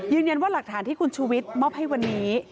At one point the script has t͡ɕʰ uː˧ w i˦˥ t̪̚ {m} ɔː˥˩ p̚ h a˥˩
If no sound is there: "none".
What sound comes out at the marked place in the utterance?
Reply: m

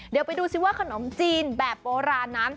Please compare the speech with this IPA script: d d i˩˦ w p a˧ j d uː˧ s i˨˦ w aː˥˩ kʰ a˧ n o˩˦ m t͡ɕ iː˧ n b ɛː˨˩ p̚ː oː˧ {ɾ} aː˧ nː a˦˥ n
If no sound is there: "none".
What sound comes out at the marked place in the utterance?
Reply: ɾ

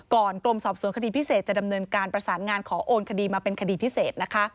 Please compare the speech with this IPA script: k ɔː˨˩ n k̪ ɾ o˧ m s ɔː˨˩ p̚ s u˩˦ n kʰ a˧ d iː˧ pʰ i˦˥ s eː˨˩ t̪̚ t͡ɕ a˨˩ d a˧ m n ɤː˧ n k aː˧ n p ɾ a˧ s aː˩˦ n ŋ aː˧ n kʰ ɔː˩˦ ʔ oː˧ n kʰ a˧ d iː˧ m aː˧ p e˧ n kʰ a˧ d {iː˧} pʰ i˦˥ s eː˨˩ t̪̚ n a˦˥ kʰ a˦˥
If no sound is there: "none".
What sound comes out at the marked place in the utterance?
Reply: iː˧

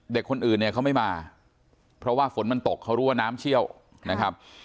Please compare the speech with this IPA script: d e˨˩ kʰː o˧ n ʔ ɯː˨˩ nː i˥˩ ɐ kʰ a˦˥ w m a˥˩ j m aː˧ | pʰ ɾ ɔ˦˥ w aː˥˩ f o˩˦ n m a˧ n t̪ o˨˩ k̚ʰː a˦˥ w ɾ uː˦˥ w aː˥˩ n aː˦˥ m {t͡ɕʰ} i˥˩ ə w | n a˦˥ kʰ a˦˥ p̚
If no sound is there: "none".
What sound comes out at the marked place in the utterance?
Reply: t͡ɕʰ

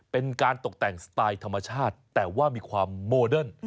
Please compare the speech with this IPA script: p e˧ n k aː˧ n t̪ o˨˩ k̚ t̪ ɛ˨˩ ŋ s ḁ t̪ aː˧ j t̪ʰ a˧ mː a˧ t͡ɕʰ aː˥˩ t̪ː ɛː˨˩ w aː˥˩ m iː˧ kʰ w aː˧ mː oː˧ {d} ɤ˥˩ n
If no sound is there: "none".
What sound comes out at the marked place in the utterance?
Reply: d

